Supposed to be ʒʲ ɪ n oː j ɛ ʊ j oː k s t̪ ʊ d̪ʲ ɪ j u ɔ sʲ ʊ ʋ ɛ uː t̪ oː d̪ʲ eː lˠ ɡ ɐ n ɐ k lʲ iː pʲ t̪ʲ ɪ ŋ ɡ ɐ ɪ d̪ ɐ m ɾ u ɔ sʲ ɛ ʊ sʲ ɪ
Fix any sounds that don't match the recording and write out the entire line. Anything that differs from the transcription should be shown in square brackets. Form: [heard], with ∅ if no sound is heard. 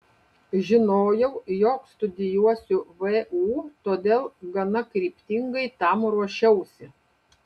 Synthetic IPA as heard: ʒʲ ɪ n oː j ɛ ʊ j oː k s t̪ ʊ d̪ʲ ɪ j u ɔ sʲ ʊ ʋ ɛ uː t̪ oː d̪ʲ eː lˠ ɡ ɐ n ɐ k [ɾʲ] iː pʲ t̪ʲ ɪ ŋ ɡ ɐ ɪ [t̪] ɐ m ɾ u ɔ [ʃʲ] ɛ ʊ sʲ ɪ